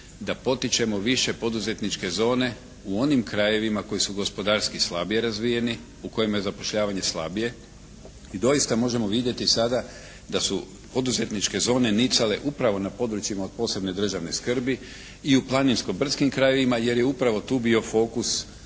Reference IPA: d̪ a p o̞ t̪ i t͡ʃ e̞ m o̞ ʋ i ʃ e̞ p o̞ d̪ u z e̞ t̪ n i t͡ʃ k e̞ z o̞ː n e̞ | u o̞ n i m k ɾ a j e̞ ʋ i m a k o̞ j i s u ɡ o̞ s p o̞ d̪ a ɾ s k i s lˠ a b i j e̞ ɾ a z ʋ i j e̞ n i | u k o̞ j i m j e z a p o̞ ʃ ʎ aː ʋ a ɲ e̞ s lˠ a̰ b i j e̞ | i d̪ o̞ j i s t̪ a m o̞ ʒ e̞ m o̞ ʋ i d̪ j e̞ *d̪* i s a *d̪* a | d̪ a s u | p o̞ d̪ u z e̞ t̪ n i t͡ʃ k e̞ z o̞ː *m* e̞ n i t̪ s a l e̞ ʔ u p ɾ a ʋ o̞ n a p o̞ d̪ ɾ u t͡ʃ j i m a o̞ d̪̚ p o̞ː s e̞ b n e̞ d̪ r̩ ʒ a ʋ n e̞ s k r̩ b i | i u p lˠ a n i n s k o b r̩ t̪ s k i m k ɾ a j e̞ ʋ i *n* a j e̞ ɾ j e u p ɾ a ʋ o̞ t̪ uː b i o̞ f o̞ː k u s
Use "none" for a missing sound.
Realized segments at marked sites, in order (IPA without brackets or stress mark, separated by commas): t̪, d̪, n, m